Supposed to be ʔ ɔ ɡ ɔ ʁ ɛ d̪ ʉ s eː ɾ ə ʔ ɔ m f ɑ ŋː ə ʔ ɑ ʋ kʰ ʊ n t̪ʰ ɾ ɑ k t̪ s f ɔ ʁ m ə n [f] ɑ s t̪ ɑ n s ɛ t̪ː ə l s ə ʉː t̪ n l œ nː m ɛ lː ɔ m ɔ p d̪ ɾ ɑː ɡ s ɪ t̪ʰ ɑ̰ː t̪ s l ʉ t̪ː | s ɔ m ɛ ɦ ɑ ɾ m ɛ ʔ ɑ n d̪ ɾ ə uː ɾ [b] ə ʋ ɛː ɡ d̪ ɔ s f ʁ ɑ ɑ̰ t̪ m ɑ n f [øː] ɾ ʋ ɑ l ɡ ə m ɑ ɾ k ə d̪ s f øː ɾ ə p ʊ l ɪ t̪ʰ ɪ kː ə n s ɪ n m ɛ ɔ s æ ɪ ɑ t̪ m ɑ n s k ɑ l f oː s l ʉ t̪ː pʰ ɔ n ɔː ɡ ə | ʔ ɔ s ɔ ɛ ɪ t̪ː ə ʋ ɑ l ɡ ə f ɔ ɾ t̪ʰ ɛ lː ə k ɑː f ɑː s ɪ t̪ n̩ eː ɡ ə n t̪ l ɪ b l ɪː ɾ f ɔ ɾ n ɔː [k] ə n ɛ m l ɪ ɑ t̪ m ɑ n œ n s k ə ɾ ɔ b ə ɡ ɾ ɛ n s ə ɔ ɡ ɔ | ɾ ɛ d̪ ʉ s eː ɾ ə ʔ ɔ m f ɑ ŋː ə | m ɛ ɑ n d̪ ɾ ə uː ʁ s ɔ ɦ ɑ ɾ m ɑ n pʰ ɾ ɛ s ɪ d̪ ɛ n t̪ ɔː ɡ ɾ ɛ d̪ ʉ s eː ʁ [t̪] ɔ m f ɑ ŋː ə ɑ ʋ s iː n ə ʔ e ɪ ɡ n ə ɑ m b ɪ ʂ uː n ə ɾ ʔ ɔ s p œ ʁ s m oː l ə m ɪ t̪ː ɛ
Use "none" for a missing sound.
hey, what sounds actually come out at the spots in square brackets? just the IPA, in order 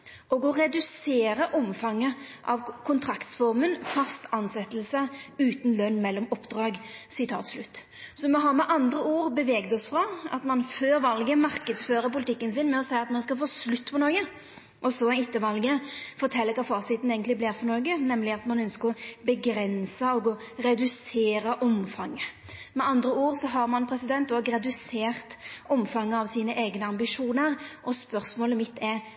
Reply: f, b, øː, ɡ, t̪

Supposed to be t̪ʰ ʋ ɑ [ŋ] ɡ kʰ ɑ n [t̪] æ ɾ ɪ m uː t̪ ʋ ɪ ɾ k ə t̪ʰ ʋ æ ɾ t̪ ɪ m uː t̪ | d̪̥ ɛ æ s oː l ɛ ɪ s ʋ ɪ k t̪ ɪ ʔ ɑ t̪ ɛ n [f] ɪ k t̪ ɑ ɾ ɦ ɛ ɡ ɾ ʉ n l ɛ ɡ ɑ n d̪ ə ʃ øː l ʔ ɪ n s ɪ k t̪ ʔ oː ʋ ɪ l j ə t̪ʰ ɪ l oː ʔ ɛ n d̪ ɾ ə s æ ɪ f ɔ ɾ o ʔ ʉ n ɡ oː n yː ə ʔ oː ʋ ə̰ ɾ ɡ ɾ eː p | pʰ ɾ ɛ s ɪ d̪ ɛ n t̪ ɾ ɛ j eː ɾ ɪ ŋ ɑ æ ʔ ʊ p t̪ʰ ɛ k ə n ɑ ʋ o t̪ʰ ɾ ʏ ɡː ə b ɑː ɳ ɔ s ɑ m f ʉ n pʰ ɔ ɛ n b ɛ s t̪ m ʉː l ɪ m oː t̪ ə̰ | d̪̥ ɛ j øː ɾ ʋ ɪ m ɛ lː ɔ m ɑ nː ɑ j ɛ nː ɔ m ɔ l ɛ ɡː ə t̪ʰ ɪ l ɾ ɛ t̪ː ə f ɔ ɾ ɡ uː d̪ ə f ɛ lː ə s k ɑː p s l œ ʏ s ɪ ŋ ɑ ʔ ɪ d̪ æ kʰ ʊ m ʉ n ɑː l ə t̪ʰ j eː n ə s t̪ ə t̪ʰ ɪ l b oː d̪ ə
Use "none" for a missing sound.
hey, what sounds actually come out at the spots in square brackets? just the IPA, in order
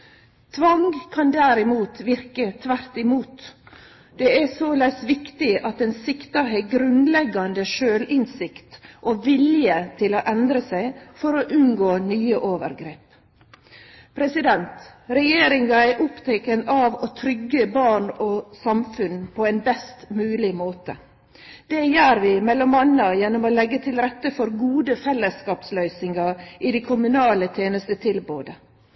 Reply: ŋ, d̪, s

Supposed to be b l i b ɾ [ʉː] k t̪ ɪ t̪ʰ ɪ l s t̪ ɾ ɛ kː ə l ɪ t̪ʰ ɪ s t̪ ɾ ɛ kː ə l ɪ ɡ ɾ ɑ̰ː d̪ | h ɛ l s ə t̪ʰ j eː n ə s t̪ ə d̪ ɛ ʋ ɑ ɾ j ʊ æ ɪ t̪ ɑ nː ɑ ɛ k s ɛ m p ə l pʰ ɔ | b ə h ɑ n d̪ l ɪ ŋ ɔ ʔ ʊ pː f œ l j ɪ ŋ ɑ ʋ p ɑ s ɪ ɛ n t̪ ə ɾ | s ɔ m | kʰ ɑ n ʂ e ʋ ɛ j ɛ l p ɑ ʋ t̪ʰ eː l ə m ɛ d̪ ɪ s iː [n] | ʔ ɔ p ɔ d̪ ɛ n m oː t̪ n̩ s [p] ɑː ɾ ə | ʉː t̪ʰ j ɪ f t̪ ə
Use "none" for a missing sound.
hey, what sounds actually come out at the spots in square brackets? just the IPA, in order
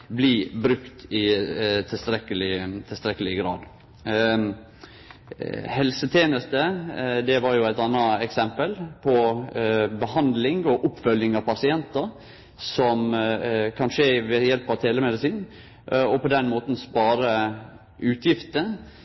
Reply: ʉ, n, p

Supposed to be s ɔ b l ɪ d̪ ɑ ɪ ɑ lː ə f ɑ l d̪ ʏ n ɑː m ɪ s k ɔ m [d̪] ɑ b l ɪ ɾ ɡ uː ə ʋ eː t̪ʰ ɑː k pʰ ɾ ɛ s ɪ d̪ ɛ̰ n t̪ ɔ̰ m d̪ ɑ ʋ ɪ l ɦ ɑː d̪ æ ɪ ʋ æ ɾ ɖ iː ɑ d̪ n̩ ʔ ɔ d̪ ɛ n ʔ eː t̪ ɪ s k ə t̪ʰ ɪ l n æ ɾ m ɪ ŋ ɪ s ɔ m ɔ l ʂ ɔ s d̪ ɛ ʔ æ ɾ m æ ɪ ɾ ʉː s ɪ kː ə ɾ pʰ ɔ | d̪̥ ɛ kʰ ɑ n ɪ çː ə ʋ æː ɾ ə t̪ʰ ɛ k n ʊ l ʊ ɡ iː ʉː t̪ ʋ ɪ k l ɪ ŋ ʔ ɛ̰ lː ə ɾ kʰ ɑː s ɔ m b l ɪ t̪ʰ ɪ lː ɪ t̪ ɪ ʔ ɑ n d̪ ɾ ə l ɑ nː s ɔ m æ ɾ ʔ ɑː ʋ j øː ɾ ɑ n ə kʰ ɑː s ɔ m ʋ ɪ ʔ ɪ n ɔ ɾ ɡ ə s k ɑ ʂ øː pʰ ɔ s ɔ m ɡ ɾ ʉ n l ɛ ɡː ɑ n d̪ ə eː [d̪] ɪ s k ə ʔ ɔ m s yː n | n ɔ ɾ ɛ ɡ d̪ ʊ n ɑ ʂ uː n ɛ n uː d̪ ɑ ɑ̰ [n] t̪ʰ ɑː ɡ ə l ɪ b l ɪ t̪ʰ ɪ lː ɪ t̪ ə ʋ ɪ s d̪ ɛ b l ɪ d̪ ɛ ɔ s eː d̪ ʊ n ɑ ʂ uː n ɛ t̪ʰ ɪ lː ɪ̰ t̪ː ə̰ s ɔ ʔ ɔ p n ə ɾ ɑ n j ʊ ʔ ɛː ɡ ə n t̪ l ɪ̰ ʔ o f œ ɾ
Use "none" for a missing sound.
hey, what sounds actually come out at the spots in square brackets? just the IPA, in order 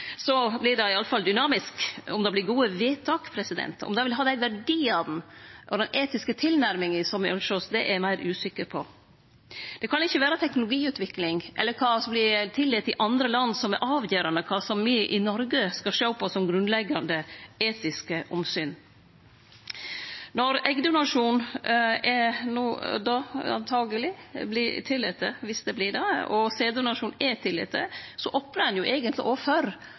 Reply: d̪, t̪, n

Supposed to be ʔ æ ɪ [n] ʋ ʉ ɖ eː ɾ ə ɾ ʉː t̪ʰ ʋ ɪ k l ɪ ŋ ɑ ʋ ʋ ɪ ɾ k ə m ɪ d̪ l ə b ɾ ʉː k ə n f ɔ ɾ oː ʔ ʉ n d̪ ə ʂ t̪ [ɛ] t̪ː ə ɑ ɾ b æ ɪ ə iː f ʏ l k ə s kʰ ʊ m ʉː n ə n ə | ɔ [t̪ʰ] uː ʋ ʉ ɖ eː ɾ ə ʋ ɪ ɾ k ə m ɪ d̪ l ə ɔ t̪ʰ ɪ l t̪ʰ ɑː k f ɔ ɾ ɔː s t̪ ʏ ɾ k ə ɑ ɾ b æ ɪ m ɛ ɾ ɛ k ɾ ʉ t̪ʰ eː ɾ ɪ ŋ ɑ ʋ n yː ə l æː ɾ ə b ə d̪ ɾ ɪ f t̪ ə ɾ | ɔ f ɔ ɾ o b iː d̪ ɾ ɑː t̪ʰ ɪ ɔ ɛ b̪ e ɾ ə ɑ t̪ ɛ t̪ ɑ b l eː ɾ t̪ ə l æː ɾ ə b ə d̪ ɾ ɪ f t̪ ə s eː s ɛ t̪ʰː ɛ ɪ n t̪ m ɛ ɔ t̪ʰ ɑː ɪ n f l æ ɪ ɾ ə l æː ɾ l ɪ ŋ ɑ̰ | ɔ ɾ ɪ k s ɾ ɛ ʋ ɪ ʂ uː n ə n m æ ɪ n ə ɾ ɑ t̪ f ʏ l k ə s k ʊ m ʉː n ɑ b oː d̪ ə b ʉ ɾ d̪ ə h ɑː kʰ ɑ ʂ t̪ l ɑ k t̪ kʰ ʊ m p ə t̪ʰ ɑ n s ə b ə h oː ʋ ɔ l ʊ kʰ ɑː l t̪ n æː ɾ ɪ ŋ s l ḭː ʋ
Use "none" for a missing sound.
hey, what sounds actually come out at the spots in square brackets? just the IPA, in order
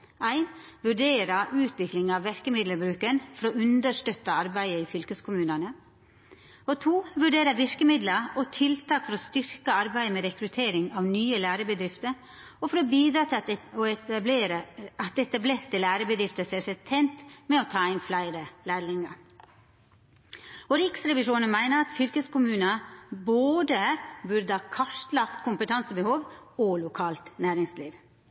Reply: n, œ, t̪ʰ

